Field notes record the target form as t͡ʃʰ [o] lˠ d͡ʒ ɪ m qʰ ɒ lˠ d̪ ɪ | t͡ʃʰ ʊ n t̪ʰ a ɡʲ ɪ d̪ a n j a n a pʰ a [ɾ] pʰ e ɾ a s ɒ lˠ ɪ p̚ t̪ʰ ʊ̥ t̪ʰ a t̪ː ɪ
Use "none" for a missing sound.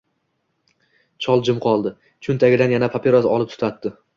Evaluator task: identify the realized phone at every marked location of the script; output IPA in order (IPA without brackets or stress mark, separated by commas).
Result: ɒ, none